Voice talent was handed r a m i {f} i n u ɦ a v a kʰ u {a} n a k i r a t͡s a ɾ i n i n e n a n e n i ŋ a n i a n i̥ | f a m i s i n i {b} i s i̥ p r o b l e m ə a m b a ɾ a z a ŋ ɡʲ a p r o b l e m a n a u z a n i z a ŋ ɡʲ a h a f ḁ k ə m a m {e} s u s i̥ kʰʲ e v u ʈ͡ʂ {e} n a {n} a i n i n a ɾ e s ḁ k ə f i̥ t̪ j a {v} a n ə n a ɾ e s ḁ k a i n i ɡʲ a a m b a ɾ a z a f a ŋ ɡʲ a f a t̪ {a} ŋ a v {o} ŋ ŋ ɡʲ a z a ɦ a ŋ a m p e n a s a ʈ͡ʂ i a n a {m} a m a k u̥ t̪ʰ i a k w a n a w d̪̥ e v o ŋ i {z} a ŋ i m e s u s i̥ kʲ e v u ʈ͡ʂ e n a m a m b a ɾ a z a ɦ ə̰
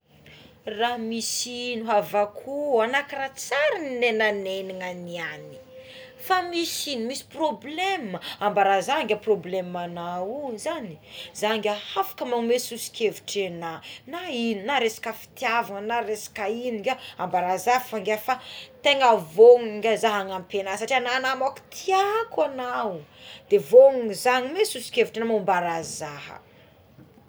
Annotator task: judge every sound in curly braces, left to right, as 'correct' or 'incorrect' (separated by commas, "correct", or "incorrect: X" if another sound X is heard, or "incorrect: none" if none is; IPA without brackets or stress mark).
incorrect: s, correct, incorrect: m, correct, correct, correct, correct, incorrect: e, correct, incorrect: n, correct